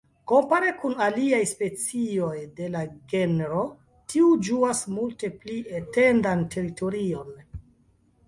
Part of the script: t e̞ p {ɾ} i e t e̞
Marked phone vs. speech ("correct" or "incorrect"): incorrect